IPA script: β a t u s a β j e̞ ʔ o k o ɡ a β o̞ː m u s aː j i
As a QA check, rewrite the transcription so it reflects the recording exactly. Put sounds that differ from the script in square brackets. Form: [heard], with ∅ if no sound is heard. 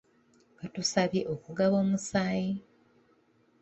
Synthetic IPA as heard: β a t u s a β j e̞ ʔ o k [u] ɡ a β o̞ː m u s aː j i